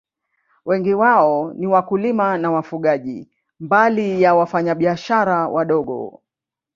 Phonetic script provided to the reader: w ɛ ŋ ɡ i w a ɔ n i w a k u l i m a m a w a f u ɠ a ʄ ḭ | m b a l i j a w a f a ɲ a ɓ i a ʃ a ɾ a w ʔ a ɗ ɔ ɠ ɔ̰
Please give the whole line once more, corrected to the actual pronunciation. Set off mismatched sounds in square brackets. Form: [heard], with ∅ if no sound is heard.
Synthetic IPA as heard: w ɛ ŋ ɡ i w a ɔ n i w a k u l i m a [n] a w a f u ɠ a ʄ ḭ | m b a l i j a w a f a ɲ a ɓ i a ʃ a ɾ a w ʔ a ɗ ɔ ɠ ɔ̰